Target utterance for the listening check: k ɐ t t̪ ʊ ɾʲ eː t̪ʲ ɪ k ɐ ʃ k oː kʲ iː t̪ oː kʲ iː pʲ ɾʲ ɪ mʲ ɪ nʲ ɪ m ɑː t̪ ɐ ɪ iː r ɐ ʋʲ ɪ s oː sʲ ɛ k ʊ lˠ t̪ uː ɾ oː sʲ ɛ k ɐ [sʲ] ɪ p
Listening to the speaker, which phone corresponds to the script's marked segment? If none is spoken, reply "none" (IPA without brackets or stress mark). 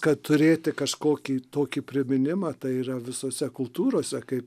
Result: none